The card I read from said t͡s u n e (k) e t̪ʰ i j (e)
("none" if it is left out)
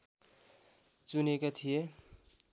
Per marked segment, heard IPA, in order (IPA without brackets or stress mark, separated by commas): k, e